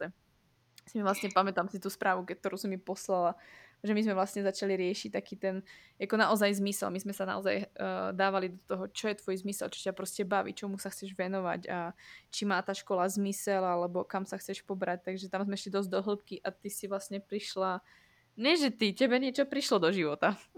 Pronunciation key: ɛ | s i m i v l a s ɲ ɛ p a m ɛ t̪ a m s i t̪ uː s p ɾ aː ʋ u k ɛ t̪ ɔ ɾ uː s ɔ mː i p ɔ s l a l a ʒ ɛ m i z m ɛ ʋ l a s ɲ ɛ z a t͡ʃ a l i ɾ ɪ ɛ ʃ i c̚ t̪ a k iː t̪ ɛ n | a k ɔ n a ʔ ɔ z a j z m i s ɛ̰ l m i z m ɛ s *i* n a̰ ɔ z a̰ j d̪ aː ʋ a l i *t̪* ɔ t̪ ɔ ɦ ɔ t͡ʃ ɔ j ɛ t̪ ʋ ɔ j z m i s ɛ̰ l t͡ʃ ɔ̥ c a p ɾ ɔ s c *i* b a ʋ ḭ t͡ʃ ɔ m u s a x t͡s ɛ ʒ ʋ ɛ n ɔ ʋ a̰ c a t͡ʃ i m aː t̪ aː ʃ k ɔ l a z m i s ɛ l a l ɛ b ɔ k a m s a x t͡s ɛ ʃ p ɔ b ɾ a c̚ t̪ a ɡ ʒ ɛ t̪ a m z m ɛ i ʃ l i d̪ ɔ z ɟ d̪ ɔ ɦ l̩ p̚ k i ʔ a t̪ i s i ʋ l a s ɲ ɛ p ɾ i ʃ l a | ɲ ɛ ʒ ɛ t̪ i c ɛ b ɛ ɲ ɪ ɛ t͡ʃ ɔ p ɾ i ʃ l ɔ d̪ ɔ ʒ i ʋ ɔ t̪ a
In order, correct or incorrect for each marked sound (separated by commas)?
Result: incorrect, incorrect, incorrect